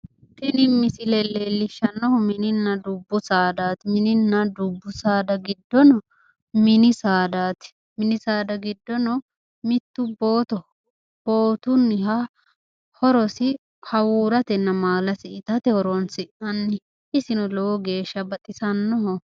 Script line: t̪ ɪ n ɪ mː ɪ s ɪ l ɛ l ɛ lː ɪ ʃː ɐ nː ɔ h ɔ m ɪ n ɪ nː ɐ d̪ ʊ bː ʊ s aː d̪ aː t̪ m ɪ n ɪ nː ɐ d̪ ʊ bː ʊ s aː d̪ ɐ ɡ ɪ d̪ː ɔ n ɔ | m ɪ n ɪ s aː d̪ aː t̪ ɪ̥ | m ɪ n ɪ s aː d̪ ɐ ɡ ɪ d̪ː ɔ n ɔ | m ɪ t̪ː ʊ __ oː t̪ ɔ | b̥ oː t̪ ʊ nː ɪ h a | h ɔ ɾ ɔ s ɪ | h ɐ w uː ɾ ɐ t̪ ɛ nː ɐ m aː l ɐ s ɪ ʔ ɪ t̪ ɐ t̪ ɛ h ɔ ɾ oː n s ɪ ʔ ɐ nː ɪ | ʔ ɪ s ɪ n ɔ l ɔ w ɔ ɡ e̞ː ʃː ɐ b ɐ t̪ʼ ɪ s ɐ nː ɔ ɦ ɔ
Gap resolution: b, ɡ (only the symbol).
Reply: b